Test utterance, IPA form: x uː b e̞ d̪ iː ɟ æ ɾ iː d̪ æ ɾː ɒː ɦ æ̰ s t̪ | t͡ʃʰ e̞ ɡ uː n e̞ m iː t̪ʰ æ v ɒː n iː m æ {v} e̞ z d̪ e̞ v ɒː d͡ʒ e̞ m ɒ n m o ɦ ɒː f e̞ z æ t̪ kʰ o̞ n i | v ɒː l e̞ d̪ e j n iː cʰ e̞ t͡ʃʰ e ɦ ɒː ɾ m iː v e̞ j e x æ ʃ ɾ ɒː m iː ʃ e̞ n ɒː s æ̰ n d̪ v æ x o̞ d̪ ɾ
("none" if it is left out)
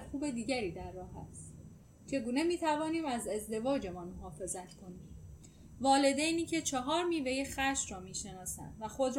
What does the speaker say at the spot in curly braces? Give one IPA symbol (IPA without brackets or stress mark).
z